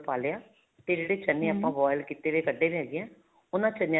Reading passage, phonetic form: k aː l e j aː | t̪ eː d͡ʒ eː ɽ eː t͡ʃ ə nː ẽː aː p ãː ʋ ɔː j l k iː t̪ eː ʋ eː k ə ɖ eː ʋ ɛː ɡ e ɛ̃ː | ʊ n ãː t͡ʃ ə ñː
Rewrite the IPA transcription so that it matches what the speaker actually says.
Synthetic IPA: p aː l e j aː | t̪ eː d͡ʒ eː ɽ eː t͡ʃ ə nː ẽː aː p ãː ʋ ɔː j l k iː t̪ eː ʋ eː k ə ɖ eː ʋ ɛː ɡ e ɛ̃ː | ʊ n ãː t͡ʃ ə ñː